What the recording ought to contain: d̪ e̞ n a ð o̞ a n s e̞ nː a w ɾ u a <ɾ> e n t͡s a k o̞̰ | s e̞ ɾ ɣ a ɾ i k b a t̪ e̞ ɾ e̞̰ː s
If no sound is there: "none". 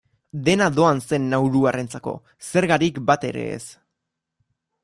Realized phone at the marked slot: r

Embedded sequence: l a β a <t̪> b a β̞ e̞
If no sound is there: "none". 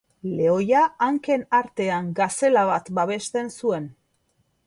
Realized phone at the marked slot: t̪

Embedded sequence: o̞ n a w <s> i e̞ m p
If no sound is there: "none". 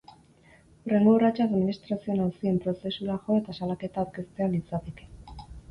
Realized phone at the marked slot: s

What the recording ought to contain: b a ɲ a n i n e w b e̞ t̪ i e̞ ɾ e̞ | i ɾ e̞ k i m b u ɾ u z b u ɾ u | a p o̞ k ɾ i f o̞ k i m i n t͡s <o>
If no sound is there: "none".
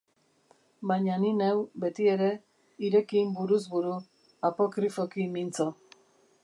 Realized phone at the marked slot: o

